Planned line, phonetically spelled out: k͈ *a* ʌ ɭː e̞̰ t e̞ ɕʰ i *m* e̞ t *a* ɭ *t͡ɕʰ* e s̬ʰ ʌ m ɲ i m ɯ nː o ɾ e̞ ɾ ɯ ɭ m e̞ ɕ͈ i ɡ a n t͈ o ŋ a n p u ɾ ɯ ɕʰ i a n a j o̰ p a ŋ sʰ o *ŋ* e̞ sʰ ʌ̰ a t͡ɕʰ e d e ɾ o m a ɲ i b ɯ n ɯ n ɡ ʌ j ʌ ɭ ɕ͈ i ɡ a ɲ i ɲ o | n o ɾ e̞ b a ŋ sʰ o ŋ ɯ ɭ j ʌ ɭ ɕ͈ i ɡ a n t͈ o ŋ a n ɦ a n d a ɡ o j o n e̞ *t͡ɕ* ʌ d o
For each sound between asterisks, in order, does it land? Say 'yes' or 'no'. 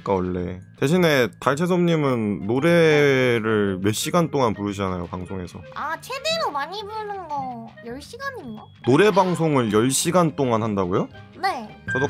yes, no, yes, yes, yes, yes

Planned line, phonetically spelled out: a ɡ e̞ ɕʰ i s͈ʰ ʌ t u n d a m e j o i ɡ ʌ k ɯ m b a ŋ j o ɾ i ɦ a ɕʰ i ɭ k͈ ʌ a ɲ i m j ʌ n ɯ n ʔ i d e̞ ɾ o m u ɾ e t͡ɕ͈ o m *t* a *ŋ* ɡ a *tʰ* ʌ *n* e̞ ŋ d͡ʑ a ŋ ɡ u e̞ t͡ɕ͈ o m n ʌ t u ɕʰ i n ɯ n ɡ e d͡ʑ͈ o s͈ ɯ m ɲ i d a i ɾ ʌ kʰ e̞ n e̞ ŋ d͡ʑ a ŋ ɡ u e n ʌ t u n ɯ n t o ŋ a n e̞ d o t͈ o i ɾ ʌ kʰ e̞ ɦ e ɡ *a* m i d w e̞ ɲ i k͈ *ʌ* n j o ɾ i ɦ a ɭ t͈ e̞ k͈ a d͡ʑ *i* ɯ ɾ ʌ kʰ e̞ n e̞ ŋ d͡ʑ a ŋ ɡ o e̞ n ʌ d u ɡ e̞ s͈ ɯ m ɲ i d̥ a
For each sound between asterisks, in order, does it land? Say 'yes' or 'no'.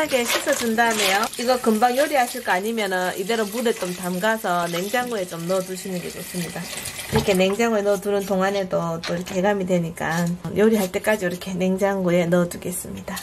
yes, no, no, yes, yes, no, yes

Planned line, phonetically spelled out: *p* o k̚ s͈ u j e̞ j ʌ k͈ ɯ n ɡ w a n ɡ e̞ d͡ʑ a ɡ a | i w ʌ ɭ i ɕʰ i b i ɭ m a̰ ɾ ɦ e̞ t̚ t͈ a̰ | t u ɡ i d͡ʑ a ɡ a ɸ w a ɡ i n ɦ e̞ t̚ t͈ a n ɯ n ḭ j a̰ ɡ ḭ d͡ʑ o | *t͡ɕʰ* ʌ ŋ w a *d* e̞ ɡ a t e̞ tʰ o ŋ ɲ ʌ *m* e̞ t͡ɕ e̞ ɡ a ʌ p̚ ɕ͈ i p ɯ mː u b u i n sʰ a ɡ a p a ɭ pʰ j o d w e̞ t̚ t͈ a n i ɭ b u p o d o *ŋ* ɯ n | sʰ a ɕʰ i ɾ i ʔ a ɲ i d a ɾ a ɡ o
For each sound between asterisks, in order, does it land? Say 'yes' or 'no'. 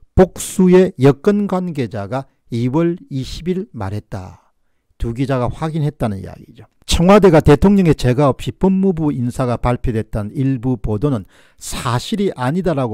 yes, yes, yes, no, no

